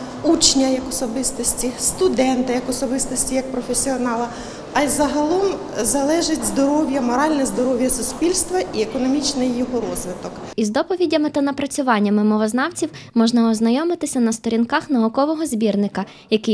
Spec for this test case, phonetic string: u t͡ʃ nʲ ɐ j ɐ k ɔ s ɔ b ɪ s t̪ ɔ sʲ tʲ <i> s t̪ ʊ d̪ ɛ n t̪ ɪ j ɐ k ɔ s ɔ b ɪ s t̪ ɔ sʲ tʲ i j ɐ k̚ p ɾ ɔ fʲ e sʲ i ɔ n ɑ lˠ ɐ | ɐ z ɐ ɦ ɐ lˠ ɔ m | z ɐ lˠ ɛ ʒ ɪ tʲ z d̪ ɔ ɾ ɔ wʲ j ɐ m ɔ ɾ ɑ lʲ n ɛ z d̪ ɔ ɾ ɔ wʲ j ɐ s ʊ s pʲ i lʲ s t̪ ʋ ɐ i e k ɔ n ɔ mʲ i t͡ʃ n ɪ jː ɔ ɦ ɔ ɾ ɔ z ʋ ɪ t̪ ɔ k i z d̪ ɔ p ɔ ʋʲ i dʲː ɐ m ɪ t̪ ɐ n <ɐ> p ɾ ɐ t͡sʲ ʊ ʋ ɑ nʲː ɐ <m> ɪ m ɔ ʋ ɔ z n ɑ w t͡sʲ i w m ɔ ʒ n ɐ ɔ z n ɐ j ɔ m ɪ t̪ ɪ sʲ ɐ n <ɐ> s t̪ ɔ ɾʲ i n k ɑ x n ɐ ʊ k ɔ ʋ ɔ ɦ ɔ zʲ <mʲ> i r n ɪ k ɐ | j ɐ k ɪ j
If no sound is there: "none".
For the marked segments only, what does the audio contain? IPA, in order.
i, ɐ, m, ɐ, bʲ

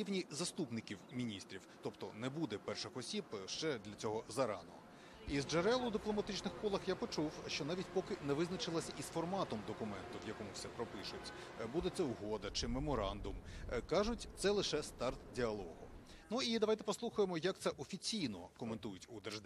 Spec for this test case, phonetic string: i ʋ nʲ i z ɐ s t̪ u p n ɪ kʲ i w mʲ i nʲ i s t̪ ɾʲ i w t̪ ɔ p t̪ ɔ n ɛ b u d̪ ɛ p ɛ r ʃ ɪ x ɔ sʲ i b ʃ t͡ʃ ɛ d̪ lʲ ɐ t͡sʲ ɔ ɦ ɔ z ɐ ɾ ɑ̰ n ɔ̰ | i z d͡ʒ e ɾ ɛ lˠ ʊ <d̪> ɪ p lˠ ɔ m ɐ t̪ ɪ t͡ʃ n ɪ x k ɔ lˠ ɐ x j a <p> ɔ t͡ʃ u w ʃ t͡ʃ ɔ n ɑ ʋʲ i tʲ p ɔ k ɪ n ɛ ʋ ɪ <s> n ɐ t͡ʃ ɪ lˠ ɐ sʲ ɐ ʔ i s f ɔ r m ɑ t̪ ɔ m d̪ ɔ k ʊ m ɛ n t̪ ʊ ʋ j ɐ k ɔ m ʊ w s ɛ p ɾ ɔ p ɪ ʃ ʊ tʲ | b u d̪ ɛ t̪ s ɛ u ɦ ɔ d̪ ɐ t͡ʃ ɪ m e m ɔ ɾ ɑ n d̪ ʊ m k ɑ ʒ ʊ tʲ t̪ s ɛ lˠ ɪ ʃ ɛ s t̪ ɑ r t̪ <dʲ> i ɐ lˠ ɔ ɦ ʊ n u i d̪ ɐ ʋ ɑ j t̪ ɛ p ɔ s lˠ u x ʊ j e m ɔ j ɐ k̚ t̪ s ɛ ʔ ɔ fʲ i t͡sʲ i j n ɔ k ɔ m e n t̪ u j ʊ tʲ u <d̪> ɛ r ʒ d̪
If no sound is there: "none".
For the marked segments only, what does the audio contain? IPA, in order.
d̪, p, z, dʲ, d̪

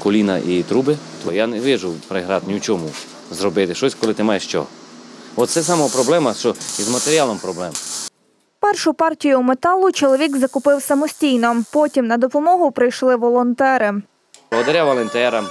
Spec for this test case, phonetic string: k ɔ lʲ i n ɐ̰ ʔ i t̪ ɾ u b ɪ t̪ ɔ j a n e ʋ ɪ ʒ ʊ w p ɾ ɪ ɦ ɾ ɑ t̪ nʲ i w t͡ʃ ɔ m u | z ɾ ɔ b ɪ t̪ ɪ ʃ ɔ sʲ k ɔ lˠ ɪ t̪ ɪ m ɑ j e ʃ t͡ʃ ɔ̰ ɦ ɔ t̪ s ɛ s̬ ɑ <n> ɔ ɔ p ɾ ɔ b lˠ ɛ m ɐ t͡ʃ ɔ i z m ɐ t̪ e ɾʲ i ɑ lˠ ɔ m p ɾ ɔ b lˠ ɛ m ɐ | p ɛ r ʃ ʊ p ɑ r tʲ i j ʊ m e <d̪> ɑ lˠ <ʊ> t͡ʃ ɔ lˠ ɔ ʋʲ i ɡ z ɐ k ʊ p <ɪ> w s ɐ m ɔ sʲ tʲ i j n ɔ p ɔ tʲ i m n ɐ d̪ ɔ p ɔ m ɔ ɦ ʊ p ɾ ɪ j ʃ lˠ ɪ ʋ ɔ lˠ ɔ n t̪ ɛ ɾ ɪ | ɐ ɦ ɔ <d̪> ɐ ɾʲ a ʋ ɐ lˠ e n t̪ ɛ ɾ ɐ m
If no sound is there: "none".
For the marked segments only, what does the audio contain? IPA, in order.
m, t̪, ʊ, ɪ, d̪

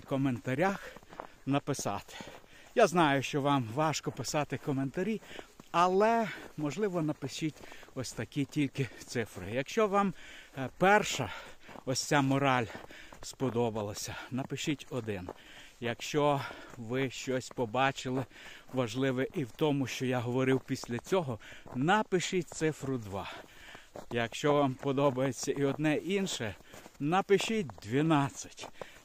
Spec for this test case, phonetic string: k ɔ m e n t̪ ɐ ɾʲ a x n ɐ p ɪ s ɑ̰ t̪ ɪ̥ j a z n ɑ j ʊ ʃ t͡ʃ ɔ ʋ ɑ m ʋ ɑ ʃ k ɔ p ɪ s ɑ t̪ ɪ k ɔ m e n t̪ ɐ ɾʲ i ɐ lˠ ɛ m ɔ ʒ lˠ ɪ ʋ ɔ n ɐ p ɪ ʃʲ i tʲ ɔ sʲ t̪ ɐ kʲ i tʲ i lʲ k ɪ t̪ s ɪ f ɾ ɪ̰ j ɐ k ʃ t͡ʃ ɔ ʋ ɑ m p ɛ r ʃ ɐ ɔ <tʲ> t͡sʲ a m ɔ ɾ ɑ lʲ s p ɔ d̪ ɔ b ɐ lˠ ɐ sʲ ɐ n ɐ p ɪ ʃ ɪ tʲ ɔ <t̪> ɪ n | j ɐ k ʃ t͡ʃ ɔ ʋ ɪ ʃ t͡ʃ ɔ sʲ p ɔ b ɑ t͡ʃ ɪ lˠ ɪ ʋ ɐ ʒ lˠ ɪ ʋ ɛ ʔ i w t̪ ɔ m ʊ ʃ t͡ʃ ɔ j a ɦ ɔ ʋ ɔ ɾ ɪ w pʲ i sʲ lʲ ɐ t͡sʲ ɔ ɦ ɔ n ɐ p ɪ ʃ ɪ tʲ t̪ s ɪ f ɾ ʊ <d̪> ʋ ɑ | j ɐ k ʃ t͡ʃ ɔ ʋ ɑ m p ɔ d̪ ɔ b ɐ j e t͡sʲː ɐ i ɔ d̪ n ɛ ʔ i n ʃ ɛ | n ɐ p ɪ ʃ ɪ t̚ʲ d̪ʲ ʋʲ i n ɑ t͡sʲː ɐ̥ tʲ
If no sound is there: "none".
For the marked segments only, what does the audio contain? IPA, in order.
sʲ, d̪, d̪

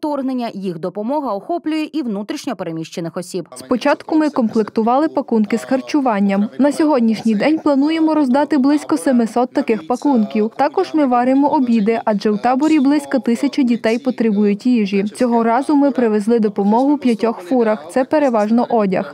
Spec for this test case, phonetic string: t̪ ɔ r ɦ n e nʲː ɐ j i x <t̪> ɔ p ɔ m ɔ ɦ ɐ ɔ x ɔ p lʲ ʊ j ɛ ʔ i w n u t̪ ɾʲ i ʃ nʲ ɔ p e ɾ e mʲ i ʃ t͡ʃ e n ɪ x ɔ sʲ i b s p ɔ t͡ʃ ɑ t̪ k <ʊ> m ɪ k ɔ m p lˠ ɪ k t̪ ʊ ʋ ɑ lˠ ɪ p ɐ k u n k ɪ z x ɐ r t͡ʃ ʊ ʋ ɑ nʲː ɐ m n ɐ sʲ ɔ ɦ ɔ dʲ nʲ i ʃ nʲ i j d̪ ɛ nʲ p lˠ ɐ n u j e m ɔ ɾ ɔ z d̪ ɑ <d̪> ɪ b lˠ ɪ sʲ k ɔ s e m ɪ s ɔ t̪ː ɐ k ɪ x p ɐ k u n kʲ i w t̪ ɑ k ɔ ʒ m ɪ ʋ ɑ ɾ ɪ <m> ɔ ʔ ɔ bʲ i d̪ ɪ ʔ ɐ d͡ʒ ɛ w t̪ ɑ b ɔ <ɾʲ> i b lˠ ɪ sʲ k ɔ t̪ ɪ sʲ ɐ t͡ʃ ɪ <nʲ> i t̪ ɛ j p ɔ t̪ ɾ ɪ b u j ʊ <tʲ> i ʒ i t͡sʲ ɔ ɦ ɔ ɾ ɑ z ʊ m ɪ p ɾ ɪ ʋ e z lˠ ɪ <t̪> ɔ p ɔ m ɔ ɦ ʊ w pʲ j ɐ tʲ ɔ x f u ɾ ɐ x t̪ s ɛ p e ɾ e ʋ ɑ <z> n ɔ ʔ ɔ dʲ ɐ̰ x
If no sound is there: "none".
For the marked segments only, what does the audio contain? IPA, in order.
d̪, ʊ, t̪, m, ɾʲ, dʲ, tʲ, d̪, ʒ

